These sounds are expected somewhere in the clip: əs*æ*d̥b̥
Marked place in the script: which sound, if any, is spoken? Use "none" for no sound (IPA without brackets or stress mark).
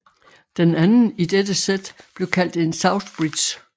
e